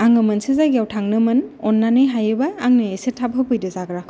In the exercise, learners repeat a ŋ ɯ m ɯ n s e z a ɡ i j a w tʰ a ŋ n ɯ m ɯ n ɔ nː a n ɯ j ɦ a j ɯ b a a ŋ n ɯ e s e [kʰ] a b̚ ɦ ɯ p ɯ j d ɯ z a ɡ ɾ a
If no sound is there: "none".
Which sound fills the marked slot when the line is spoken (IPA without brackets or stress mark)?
tʰ